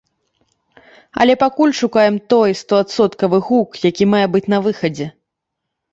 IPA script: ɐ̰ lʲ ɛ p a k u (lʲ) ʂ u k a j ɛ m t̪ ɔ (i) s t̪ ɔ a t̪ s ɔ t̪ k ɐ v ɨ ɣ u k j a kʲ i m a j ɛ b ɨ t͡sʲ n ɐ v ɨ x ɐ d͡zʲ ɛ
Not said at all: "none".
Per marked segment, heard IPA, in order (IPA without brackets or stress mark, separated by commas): lʲ, j